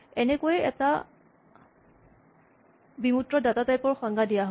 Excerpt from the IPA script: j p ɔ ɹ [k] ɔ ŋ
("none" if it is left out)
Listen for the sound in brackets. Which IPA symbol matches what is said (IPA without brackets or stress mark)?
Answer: x